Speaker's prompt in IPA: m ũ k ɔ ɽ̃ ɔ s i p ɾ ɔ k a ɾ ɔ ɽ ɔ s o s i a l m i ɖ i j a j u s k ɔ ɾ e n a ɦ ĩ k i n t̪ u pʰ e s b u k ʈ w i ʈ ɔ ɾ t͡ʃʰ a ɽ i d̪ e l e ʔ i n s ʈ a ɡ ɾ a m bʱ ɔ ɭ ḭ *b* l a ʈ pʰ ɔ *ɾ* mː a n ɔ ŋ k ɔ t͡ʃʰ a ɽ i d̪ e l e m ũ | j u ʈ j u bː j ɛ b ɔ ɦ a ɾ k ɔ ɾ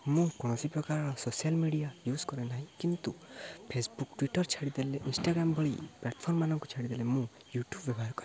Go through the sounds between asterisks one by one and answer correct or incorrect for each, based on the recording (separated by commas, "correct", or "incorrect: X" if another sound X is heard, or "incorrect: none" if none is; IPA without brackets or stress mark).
incorrect: p, correct